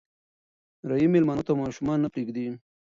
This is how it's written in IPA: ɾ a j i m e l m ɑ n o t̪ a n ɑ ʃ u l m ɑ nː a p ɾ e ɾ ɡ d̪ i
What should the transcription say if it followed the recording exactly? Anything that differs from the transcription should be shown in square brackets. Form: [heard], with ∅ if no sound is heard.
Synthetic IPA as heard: ɾ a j i m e l m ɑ n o t̪ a [m] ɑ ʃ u [∅] m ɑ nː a p ɾ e [∅] ɡ d̪ i

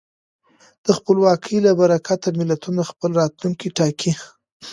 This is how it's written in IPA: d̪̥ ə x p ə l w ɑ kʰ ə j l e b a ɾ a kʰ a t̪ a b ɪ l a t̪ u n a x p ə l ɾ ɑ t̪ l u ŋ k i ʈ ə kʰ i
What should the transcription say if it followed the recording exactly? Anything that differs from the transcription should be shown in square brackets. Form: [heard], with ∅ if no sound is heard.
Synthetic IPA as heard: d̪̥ ə x p ə l w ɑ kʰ ə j l [a] b a ɾ a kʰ a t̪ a [m] ɪ l a t̪ u n a x p ə l ɾ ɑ t̪ l u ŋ k i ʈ [ɑ] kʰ i

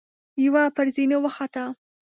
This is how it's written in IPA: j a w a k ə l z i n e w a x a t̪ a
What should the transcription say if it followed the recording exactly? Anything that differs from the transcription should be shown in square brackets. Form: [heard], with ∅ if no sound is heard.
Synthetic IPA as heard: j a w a [p] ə [ɾ] z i n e w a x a t̪ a

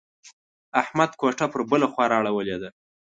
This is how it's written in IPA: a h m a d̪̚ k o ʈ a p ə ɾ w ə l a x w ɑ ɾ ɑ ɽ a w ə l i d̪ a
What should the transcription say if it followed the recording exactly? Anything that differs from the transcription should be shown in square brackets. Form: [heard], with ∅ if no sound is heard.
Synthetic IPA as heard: a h m a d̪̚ k o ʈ a p ə ɾ [b] ə l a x w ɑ ɾ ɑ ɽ a w ə l [e] d̪ a

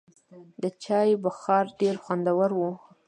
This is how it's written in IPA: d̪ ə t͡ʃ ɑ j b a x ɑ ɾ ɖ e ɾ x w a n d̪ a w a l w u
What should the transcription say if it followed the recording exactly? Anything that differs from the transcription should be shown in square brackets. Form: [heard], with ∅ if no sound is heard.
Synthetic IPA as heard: d̪ ə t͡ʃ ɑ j b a x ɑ ɾ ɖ e ɾ x w a n d̪ a w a [ɾ] w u

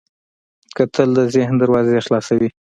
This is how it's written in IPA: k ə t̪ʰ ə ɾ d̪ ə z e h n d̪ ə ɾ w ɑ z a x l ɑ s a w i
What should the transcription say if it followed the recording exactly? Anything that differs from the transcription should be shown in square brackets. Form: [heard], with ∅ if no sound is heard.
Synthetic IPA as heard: k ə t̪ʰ ə [l] d̪ ə z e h n d̪ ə ɾ w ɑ z [e] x l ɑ s a w i

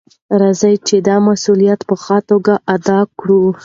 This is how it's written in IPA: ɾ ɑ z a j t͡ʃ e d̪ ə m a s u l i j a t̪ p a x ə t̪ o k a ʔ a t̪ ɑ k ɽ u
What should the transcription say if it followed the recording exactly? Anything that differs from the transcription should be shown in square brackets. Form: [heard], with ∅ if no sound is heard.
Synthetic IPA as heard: ɾ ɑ z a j t͡ʃ e d̪ [ɑ] m a s u l i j a t̪ p [ə] x [ɑ] t̪ o [ɡ] a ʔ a [d̪] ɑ k ɽ u

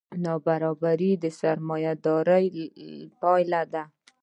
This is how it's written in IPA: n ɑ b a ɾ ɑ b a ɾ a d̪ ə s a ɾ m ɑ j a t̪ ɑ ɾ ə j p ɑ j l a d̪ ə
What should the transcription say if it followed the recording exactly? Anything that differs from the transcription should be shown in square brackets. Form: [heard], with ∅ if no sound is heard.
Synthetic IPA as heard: n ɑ b a ɾ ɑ b a ɾ [i] d̪ ə s a ɾ m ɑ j a [d̪] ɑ ɾ ə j p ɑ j l a d̪ [a]

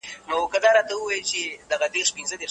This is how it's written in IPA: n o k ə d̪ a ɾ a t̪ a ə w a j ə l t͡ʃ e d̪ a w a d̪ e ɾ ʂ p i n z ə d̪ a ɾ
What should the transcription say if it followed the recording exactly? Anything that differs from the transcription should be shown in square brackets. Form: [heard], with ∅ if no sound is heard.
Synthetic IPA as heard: n o k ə d̪ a ɾ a t̪ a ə w a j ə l t͡ʃ e d̪ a [ɣ] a d̪ e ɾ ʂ p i n z ə d̪ [e] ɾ

